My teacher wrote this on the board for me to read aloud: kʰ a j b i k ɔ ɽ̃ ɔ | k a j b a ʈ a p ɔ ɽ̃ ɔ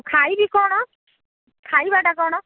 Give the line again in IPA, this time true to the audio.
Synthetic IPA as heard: kʰ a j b i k ɔ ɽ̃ ɔ | kʰ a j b a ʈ a k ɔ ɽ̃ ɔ

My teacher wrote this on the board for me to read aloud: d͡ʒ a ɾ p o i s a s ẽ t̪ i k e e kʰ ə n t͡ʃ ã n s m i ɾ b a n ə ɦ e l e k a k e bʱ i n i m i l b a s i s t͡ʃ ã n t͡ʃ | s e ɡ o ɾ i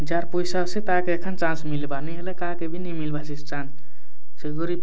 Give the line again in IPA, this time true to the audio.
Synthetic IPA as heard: d͡ʒ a ɾ p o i s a s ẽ t̪ a k e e kʰ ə n t͡ʃ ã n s m i l b a n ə ɦ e l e k a k e bʱ i n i m i l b a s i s t͡ʃ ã n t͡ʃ | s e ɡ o ɾ i

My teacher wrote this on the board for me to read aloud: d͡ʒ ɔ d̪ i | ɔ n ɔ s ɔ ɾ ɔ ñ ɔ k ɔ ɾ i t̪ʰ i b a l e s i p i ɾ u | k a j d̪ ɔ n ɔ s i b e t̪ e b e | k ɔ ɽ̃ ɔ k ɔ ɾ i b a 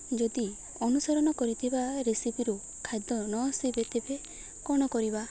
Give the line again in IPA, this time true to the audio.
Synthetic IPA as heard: d͡ʒ ɔ d̪ i | ɔ n u s ɔ ɾ ɔ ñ ɔ k ɔ ɾ i t̪ʰ i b a ɾ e s i p i ɾ u | kʰ a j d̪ ɔ n ɔ s i b e t̪ e b e | k ɔ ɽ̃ ɔ k ɔ ɾ i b a

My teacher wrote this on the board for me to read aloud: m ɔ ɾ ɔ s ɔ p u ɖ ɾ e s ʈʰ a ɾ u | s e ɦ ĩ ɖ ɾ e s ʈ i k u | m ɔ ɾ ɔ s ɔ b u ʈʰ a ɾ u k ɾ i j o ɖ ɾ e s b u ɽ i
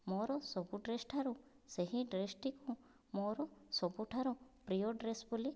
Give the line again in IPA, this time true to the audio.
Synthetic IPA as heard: m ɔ ɾ ɔ s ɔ b u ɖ ɾ e s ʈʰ a ɾ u | s e ɦ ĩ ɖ ɾ e s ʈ i k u | m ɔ ɾ ɔ s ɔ b u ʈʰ a ɾ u p ɾ i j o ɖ ɾ e s b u l i

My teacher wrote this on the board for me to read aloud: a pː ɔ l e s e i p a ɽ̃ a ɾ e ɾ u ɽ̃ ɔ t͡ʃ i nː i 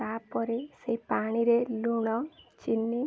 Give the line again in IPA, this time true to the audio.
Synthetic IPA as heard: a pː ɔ ɾ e s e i p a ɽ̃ i ɾ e l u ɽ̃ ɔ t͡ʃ i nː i

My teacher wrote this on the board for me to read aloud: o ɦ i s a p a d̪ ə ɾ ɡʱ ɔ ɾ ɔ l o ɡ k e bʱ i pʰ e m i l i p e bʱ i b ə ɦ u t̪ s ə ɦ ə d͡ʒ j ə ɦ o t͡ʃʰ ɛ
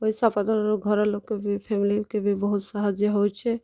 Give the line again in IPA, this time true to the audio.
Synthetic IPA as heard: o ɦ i s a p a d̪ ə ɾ ɡʱ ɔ ɾ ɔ l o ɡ k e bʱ i pʰ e m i l i k e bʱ i b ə ɦ u t̪ s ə ɦ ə d͡ʒ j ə ɦ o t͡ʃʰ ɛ

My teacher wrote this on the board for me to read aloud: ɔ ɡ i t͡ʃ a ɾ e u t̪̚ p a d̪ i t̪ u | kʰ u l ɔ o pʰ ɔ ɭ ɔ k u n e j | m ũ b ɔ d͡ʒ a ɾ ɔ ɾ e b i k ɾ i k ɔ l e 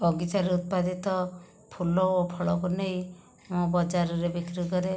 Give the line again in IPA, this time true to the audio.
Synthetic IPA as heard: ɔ ɡ i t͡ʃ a ɾ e u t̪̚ p a d̪ i t̪ ɔ | pʰ u l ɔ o pʰ ɔ ɭ ɔ k u n e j | m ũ b ɔ d͡ʒ a ɾ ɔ ɾ e b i k ɾ i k ɔ ɾ e

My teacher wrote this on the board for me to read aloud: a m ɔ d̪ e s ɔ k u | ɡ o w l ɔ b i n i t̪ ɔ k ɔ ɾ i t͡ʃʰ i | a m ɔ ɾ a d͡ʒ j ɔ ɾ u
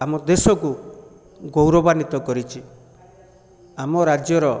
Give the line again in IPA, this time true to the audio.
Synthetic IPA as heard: a m ɔ d̪ e s ɔ k u | ɡ o w ɾ ɔ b a n i t̪ ɔ k ɔ ɾ i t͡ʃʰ i | a m ɔ ɾ a d͡ʒ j ɔ ɾ ɔ

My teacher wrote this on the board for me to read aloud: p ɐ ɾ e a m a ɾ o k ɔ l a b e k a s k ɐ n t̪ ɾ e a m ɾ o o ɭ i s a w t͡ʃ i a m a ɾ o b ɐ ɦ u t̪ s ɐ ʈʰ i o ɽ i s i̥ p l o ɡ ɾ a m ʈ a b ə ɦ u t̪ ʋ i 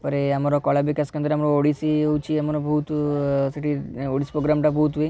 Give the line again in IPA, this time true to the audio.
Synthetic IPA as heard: p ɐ ɾ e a m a ɾ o k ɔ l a b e k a s k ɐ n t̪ ɾ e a m ɾ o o ɽ i s i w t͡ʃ i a m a ɾ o b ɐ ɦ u t̪ s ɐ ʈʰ i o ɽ i s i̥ p ɾ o ɡ ɾ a m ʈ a b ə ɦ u t̪ ʋ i

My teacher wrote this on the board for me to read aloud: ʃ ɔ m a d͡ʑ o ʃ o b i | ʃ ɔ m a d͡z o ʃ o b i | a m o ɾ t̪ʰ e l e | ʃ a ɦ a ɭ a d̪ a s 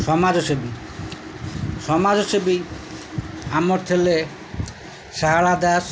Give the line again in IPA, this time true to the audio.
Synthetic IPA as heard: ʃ ɔ m a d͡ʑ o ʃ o b i | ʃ ɔ m a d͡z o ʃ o b i | a m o ɾ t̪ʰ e l e | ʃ a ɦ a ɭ a d̪ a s

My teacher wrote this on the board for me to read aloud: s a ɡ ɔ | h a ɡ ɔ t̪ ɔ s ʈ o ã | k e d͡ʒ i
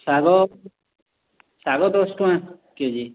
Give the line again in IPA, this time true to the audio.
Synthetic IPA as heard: s a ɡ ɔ | s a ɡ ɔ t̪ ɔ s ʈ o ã | k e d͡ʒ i

